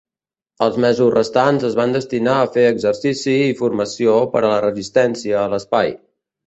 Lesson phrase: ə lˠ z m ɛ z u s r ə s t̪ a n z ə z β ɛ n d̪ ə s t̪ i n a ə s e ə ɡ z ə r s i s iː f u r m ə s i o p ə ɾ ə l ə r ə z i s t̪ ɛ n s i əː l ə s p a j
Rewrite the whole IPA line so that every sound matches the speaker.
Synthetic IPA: ə lˠ z m ɛ z u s r ə s t̪ a n z ə z β a n d̪ ə s t̪ i n a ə f e ə ɡ z ə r s i s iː f u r m ə s i o p ə ɾ ə l ə r ə z i s t̪ ɛ n s i əː l ə s p a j